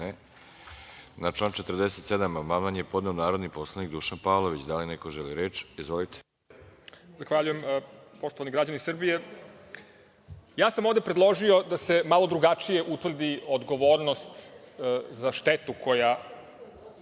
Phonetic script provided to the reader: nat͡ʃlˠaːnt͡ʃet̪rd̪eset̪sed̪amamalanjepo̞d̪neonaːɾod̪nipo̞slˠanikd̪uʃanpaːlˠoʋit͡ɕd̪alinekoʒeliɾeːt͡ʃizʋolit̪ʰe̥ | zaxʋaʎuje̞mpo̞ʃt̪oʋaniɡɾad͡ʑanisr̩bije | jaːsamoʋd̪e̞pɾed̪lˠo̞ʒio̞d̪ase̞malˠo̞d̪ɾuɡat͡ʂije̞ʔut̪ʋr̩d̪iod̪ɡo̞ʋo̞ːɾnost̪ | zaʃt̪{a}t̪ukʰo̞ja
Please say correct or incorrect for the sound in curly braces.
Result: incorrect